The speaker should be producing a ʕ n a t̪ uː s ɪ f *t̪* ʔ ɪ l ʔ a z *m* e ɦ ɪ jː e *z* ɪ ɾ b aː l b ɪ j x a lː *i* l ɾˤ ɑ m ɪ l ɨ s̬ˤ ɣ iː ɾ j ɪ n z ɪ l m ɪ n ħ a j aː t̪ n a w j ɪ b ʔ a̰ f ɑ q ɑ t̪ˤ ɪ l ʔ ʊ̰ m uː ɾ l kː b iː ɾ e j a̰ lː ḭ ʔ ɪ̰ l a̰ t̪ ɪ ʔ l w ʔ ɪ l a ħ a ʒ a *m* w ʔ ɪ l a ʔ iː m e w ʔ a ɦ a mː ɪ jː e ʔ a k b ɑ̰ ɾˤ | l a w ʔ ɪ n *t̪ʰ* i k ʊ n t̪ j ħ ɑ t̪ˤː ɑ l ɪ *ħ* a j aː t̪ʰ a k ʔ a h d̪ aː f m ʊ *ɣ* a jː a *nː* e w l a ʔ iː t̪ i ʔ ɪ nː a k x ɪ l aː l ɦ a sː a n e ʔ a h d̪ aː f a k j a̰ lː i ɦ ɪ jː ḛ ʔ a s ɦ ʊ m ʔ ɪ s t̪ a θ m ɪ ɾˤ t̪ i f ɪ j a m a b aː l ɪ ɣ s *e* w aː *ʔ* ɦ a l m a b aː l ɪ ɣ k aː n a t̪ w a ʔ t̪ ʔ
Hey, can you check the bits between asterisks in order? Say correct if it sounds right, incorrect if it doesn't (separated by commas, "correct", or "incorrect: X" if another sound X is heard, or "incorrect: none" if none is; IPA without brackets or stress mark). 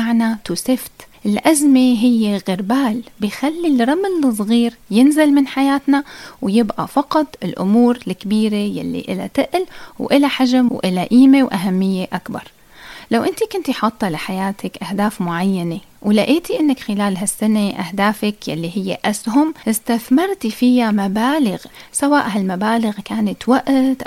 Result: correct, correct, incorrect: ɣ, correct, correct, incorrect: t̪, correct, incorrect: ʕ, incorrect: n, incorrect: a, correct